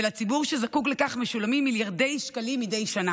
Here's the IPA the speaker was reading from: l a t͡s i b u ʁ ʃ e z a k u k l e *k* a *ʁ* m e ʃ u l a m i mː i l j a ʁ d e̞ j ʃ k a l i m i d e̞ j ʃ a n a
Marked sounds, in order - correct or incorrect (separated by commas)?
correct, incorrect